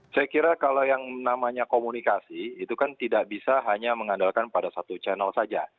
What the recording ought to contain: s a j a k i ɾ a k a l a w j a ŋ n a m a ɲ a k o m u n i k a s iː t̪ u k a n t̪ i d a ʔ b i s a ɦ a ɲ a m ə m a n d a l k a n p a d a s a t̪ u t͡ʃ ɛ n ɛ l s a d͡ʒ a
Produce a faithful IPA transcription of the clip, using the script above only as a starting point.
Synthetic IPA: s a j a k i ɾ a k a l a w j a ŋ n a m a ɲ a k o m u n i k a s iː t̪ u k a n t̪ i d a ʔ b i s a ɦ a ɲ a m ə ŋ a n d a l k a n p a d a s a t̪ u t͡ʃ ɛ n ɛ l s a d͡ʒ a